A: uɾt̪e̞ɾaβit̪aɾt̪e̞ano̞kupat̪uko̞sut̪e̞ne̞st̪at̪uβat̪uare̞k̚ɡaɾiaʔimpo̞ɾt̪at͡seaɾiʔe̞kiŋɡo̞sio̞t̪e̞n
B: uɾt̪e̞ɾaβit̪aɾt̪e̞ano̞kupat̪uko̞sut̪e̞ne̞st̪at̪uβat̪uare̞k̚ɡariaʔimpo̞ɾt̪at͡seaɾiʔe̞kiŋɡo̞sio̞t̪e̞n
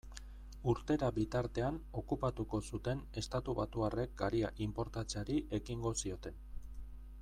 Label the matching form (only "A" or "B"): A